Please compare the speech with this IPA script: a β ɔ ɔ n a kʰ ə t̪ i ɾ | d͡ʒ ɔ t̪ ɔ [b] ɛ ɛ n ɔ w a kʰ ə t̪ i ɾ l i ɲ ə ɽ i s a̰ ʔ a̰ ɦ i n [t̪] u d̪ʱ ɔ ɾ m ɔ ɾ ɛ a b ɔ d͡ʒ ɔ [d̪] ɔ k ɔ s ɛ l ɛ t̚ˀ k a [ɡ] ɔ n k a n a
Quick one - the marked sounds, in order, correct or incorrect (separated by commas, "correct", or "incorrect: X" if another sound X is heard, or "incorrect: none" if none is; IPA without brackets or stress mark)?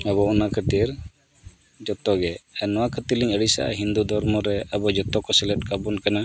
incorrect: ɡ, incorrect: d̪, incorrect: t̪, incorrect: b